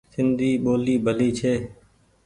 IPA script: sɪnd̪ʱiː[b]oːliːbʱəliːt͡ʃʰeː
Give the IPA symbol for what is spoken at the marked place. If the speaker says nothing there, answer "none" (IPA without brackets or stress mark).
ɓ